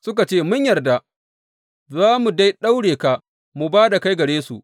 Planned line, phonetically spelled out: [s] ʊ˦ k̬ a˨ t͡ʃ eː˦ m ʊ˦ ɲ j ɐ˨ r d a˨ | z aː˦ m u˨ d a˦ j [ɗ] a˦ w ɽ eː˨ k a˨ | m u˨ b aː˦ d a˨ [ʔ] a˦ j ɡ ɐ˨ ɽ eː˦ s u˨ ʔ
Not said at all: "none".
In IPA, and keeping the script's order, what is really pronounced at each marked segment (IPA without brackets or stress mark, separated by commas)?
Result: s, ɗ, k